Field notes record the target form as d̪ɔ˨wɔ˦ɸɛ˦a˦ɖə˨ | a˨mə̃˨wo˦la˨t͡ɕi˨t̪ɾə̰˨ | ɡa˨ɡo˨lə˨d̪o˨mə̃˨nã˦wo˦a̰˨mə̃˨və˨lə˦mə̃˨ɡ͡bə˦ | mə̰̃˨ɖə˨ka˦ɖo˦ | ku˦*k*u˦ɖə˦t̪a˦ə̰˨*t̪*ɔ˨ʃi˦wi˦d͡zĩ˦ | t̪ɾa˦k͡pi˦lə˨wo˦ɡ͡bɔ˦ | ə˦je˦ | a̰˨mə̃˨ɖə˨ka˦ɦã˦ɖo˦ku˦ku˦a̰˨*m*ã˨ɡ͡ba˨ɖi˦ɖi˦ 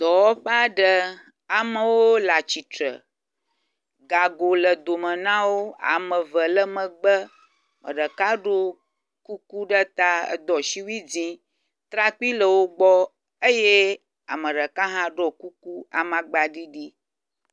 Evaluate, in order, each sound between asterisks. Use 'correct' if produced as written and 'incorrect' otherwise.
correct, incorrect: d̪, correct

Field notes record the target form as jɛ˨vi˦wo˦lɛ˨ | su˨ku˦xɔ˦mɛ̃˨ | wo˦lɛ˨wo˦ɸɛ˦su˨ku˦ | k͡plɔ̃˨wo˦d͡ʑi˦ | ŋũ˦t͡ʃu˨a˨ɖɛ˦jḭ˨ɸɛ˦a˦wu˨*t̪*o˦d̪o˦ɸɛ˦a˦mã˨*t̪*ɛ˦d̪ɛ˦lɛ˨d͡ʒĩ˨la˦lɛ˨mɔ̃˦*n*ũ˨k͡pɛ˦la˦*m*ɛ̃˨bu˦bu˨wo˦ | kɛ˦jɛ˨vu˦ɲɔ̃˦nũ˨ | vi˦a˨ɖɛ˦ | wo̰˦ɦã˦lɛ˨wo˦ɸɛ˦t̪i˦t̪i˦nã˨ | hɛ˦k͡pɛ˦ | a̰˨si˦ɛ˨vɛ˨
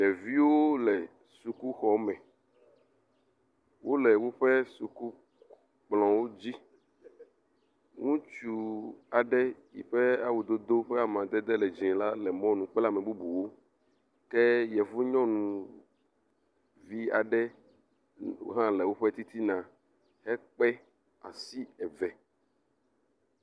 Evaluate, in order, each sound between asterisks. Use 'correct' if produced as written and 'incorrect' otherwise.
incorrect: d̪, incorrect: d̪, correct, correct

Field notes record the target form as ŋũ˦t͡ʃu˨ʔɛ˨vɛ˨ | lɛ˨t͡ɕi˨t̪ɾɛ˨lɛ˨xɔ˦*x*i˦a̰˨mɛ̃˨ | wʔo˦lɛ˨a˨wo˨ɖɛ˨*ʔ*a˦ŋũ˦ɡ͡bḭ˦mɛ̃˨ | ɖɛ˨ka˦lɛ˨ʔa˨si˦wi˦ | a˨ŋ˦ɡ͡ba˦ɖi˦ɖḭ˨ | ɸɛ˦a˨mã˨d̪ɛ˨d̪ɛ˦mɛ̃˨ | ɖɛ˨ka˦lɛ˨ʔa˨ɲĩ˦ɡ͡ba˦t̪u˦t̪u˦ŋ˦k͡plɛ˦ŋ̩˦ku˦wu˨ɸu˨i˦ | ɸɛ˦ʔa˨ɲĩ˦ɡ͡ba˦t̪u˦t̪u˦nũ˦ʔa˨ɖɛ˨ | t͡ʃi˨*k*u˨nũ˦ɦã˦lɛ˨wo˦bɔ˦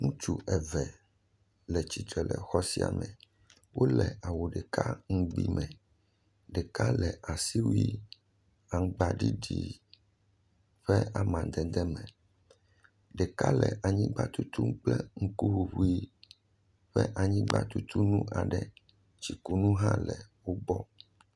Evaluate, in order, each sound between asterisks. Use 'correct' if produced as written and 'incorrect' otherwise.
incorrect: s, incorrect: k, correct

